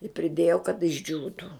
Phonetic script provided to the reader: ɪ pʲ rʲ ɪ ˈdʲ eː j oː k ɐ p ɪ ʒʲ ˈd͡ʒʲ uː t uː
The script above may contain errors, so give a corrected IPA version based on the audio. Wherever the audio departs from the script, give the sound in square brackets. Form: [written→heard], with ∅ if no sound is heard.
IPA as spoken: ɪ pʲ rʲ ɪ ˈdʲ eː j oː k ɐ [p→t] ɪ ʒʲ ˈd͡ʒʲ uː t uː

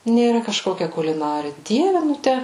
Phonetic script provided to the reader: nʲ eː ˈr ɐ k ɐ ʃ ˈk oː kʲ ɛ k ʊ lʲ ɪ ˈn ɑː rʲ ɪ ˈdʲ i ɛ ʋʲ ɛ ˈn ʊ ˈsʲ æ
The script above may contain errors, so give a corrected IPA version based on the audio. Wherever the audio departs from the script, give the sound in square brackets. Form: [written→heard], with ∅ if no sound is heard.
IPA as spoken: nʲ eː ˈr ɐ k ɐ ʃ ˈk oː kʲ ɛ k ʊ lʲ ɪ ˈn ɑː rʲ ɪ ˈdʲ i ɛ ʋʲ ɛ ˈn ʊ [ˈsʲ→ˈtʲ] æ

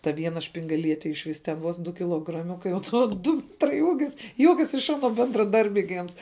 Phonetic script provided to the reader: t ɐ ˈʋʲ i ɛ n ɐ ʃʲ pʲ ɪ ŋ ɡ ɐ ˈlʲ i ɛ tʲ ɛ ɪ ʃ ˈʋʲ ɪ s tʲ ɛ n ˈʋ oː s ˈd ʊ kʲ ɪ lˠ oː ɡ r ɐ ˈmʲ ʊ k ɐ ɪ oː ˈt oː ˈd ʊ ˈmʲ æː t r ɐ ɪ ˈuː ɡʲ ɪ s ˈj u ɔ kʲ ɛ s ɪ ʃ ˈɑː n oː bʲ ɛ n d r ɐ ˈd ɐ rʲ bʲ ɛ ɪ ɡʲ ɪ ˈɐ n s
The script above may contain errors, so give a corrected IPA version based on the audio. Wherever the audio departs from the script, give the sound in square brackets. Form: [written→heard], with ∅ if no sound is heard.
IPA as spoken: t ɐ ˈʋʲ i ɛ n ɐ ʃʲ pʲ ɪ ŋ ɡ ɐ ˈlʲ i ɛ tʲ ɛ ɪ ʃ ˈʋʲ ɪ s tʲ ɛ n ˈʋ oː s ˈd ʊ kʲ ɪ lˠ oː ɡ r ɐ ˈmʲ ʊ k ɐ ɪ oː ˈt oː ˈd ʊ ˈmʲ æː t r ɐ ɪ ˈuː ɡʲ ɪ s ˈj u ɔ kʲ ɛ s ɪ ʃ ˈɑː n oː bʲ ɛ n d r ɐ ˈd ɐ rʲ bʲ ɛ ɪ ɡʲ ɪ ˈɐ n s

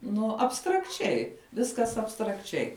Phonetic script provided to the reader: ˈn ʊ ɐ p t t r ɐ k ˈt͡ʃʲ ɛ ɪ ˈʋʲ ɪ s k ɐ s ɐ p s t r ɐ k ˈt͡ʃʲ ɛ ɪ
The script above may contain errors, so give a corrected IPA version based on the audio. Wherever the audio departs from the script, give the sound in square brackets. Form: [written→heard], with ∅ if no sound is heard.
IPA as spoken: ˈn ʊ ɐ p [t→s] t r ɐ k ˈt͡ʃʲ ɛ ɪ ˈʋʲ ɪ s k ɐ s ɐ p s t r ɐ k ˈt͡ʃʲ ɛ ɪ

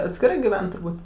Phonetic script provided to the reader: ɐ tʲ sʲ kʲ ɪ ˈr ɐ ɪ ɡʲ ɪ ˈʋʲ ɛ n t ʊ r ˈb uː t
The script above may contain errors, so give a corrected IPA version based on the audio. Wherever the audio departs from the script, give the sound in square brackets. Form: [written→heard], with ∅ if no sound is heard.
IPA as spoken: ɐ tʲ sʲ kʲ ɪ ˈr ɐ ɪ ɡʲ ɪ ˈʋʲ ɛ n t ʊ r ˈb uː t

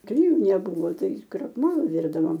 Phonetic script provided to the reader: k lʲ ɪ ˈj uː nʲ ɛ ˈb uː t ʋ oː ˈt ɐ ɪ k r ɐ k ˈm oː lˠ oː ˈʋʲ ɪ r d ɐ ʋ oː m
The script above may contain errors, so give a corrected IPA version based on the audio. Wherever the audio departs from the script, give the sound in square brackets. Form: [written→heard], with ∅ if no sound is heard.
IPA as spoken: k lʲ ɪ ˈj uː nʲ ɛ ˈb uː [t→∅] ʋ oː ˈt ɐ ɪ k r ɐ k ˈm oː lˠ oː ˈʋʲ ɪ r d ɐ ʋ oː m

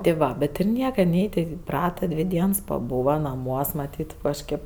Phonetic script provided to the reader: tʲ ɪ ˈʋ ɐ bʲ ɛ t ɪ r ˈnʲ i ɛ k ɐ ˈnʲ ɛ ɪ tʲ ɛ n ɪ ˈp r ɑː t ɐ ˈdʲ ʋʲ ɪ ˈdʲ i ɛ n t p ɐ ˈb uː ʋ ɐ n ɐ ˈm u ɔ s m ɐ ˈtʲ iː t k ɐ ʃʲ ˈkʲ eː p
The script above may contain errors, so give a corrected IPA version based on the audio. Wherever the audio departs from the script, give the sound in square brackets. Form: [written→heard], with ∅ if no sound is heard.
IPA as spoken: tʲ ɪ ˈʋ ɐ bʲ ɛ t ɪ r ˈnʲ i ɛ k ɐ ˈnʲ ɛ ɪ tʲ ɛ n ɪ ˈp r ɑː t ɐ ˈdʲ ʋʲ ɪ ˈdʲ i ɛ n [t→s] p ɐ ˈb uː ʋ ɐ n ɐ ˈm u ɔ s m ɐ ˈtʲ iː t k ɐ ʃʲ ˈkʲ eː p

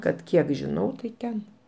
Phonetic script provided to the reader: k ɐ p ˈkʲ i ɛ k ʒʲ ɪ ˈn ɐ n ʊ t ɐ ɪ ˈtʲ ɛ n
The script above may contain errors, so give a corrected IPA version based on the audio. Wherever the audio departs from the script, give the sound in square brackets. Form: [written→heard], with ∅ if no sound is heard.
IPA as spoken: k ɐ [p→t] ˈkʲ i ɛ k ʒʲ ɪ ˈn ɐ [n→∅] ʊ t ɐ ɪ ˈtʲ ɛ n

